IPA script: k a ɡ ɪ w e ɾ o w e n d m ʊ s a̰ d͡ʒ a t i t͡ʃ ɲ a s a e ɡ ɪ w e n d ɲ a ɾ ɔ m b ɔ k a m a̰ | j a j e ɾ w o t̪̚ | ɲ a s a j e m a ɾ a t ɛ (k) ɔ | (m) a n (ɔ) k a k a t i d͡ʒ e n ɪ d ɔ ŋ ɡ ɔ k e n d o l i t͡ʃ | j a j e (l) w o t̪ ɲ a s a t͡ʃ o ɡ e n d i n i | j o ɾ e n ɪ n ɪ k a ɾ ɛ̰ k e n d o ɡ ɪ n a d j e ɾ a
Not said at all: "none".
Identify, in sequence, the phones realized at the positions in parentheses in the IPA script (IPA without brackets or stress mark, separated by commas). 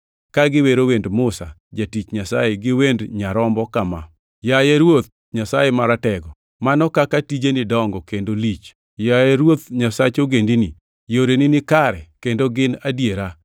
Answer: ɡ, m, ɔ, ɾ